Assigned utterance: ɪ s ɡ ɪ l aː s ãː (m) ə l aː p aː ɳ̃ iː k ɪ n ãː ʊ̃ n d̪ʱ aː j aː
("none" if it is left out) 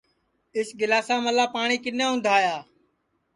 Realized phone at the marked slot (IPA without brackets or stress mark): m